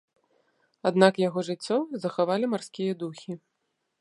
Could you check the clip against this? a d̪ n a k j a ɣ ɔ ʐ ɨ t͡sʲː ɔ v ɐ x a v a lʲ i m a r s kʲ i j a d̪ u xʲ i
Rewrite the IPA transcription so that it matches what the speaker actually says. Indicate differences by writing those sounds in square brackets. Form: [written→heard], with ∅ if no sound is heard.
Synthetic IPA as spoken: a d̪ n a k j a ɣ ɔ ʐ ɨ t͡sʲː ɔ [v→z] ɐ x a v a lʲ i m a r s kʲ i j [a→ɐ] d̪ u xʲ i